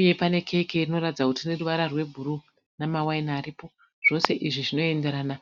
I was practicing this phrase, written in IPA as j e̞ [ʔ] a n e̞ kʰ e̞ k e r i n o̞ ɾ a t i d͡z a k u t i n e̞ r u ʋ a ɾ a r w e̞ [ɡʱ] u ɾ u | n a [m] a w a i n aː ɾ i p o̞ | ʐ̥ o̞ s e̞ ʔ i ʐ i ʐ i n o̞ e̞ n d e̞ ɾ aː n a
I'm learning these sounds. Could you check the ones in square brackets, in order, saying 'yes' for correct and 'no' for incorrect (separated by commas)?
no, no, yes